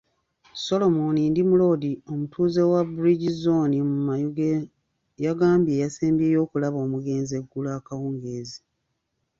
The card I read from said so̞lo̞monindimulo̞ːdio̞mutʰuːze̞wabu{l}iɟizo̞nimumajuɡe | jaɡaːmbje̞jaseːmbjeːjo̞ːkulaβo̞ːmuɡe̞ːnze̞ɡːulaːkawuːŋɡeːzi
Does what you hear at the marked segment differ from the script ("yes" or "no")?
yes